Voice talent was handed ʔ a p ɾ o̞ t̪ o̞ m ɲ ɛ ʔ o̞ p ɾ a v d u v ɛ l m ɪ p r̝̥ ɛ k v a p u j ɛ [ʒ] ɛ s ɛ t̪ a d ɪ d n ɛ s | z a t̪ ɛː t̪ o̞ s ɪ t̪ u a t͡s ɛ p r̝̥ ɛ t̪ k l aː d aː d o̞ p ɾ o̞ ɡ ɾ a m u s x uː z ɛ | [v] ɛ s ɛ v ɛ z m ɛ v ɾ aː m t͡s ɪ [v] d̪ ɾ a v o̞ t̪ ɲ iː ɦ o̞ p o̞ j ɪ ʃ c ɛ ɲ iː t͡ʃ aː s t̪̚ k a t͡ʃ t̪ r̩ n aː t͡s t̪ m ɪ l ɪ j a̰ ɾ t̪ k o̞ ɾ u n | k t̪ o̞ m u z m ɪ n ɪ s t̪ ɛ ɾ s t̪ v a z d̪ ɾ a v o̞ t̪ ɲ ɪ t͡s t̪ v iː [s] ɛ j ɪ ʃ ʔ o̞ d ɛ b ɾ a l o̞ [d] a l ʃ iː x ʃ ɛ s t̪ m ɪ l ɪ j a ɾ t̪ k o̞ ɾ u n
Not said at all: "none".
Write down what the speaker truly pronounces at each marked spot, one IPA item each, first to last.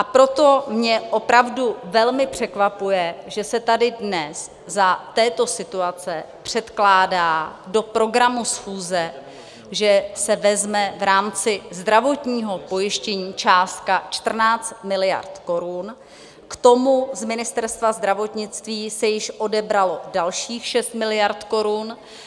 ʒ, ʒ, z, s, d

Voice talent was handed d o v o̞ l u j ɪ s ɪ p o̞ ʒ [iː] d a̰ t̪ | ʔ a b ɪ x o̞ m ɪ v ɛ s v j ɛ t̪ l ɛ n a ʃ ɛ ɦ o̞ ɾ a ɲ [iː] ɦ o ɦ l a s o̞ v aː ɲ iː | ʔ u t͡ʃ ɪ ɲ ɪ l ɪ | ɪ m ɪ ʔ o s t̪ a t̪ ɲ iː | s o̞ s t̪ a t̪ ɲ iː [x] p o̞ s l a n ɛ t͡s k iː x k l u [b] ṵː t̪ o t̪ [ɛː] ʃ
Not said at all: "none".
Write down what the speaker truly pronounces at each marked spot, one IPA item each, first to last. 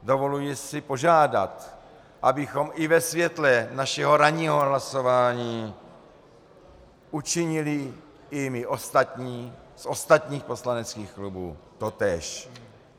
aː, iː, x, b, ɛː

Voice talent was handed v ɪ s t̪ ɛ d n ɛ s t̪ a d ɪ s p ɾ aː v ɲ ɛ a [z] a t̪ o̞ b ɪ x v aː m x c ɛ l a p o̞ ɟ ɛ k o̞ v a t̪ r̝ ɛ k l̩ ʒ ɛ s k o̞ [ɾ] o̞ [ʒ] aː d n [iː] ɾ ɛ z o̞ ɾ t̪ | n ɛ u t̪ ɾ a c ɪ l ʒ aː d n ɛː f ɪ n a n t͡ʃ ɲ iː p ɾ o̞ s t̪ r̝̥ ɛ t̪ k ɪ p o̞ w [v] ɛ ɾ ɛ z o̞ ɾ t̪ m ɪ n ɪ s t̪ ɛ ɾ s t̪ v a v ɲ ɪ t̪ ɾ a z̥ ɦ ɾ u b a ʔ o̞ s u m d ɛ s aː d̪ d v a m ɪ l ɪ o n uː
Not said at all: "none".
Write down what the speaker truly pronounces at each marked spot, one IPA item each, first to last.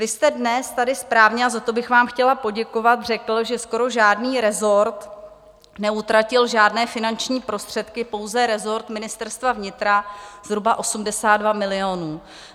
z, ɾ, ʒ, iː, z

